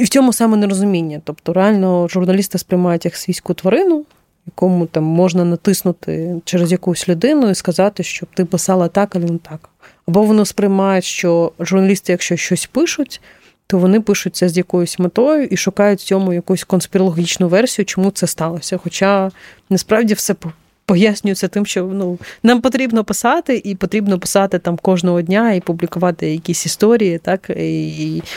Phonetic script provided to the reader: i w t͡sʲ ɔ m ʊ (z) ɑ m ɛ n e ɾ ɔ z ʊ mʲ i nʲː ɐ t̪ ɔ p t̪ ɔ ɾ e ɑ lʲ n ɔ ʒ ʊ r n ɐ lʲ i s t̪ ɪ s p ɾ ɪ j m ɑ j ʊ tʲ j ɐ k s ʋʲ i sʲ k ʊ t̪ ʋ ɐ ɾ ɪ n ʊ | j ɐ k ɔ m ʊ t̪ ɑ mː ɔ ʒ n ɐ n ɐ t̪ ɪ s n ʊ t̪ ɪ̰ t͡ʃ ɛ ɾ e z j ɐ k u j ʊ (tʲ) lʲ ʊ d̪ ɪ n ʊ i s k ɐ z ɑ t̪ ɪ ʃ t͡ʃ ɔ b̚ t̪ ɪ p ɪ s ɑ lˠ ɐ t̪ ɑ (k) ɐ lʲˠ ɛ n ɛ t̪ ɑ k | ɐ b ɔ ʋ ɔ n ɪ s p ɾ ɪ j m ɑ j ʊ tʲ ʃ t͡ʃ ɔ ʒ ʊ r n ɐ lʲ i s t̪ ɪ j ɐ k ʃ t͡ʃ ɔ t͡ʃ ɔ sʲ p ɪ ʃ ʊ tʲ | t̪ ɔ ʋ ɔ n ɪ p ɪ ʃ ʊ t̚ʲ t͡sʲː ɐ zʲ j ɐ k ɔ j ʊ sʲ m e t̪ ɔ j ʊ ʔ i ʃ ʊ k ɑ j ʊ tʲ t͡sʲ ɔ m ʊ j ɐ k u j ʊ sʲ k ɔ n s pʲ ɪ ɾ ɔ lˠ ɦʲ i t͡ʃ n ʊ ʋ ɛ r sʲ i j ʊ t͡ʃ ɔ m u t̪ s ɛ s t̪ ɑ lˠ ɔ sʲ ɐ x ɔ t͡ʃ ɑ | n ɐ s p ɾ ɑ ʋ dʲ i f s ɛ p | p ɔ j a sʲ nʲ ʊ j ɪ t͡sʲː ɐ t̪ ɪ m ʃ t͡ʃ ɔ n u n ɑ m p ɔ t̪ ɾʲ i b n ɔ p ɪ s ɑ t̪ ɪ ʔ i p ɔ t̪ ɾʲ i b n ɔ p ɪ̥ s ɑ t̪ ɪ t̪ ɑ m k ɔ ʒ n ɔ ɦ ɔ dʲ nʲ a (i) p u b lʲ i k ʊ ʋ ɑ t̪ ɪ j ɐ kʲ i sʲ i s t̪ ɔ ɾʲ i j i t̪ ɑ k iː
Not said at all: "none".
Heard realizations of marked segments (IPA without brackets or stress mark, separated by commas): s, sʲ, k, i